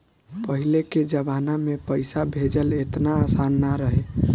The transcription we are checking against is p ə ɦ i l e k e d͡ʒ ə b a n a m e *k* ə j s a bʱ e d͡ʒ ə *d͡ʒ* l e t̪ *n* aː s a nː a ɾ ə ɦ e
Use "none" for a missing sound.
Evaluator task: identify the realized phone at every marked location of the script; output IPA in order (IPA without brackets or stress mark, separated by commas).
p, none, n